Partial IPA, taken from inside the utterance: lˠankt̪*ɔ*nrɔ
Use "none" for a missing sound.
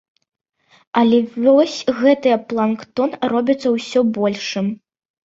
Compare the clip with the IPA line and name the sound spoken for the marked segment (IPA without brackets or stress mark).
ɔ